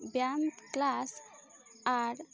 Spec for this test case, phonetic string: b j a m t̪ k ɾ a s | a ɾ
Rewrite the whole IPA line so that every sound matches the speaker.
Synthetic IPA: b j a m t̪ k l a s | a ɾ